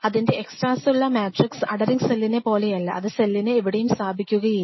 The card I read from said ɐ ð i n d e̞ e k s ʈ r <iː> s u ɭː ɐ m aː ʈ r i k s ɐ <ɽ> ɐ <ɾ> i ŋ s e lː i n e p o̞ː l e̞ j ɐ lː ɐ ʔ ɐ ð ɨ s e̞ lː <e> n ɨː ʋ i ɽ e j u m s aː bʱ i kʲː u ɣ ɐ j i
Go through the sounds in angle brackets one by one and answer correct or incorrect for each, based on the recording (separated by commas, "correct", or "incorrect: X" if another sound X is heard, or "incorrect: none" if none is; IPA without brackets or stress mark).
incorrect: aː, correct, correct, incorrect: i